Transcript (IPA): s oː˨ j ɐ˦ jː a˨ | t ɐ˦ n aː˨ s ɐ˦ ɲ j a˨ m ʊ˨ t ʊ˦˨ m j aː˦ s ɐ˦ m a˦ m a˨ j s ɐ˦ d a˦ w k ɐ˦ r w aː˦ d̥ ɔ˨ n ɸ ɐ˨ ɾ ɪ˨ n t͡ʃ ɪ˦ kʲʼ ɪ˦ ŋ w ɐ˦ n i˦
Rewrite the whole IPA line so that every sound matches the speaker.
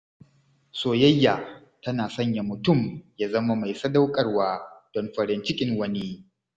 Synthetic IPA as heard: s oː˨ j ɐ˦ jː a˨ | t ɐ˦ n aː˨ s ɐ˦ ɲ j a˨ m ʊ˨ t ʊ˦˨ m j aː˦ z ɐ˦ m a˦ m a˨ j s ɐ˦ d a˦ w kʼ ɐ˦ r w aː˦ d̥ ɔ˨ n ɸ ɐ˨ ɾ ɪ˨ n t͡ʃ ɪ˦ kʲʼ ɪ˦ ŋ w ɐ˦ n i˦